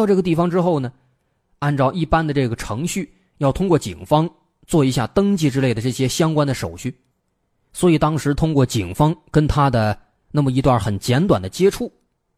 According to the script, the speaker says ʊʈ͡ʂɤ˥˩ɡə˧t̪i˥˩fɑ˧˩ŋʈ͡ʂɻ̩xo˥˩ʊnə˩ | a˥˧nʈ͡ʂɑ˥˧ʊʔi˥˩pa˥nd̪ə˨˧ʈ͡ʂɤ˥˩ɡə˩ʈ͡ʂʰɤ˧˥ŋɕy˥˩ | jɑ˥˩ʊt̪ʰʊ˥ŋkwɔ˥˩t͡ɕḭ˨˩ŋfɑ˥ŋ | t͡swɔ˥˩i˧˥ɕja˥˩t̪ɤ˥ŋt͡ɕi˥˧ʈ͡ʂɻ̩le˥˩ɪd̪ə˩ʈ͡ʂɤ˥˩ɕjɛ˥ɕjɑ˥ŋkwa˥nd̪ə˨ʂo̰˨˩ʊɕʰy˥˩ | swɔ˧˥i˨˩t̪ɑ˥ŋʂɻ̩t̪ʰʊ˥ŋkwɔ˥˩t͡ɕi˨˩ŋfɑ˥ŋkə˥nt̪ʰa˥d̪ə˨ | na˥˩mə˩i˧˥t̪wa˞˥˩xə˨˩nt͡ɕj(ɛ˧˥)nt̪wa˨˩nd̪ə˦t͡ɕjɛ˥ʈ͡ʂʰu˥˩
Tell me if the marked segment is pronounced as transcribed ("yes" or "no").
yes